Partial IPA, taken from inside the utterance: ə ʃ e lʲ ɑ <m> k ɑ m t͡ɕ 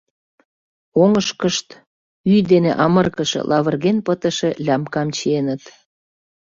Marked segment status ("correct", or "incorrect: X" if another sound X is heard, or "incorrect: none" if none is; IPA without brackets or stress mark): correct